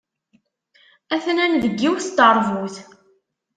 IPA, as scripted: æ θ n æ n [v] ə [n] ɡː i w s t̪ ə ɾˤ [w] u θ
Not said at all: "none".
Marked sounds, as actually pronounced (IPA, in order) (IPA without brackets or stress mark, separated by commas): ð, none, v